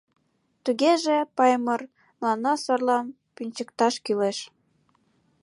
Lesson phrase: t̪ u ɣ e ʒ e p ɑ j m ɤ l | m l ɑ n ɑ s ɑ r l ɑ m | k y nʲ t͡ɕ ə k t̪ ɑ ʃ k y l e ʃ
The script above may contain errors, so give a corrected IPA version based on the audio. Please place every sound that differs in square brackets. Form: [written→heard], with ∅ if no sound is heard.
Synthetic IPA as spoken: t̪ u ɣ e ʒ e p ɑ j m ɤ [l→r] | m l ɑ n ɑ s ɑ r l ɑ m | [k→p] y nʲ t͡ɕ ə k t̪ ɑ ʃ k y l e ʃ